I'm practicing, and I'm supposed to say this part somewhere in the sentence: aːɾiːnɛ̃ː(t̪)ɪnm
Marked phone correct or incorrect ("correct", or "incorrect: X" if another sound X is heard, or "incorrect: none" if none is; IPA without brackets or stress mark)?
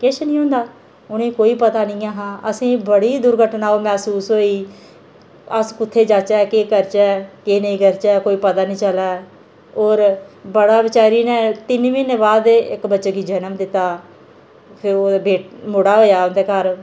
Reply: correct